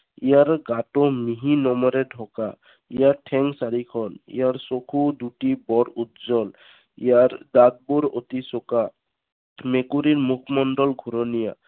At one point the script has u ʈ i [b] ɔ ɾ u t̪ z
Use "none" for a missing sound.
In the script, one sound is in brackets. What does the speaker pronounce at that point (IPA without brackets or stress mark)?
b